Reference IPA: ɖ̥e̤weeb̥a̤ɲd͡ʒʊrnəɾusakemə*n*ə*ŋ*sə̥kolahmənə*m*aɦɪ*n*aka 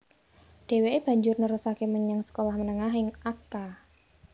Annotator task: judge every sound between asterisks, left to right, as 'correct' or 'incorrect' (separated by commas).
incorrect, correct, incorrect, incorrect